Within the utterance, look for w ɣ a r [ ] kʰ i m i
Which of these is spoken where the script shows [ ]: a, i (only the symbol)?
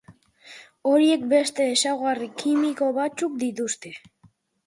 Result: i